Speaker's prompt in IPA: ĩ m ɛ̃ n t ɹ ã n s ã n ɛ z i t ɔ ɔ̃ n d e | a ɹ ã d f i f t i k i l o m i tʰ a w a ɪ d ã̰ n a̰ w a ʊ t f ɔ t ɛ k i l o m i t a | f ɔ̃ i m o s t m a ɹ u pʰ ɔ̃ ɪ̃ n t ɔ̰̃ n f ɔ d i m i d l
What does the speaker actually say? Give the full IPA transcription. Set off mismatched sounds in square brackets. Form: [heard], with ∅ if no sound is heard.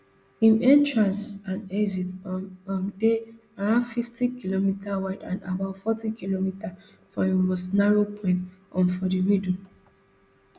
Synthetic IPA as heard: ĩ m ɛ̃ n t ɹ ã n s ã n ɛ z i t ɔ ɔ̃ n d e | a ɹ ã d f i f t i k i l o m i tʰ a w a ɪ d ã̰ n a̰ [b] a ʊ t f ɔ t [i] k i l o m i t a | f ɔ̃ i m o s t [n] a ɹ [o] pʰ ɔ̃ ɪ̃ n t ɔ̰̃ n f ɔ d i m i d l